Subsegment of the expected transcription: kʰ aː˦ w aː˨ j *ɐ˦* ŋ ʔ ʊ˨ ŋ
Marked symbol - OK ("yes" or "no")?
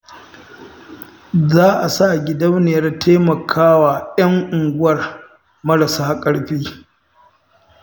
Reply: yes